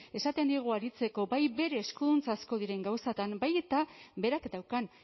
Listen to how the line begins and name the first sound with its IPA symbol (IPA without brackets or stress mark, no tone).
e̞